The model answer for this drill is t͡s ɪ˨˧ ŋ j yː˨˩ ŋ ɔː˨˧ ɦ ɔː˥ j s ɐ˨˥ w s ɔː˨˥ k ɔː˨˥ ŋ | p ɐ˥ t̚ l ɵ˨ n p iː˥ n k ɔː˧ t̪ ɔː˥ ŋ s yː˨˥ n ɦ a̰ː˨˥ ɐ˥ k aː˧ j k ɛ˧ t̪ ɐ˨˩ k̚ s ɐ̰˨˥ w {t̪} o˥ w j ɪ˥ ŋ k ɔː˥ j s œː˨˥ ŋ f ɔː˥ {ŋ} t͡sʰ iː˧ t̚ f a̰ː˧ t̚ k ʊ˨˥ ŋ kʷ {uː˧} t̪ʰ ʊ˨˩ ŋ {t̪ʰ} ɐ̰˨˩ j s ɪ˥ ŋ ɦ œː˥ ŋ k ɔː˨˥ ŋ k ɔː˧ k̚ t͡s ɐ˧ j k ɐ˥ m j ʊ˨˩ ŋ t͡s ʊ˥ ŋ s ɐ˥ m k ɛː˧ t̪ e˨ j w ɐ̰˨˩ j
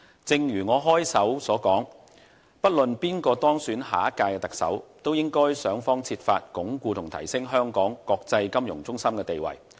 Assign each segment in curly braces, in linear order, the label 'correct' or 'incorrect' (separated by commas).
correct, correct, correct, correct